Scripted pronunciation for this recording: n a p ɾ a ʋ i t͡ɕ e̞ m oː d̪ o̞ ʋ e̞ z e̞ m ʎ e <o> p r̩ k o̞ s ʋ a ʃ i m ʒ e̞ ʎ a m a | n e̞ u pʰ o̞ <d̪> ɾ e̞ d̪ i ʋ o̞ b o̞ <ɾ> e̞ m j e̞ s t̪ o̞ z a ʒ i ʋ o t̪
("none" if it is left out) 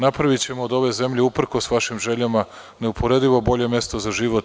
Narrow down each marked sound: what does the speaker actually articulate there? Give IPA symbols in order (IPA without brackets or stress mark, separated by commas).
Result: u, none, ʎ